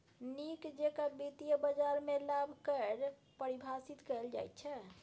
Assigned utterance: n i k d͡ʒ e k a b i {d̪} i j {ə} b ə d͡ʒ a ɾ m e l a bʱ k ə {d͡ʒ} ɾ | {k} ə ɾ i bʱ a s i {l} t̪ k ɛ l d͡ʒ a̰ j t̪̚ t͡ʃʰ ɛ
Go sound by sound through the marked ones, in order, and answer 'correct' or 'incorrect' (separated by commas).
incorrect, correct, incorrect, incorrect, incorrect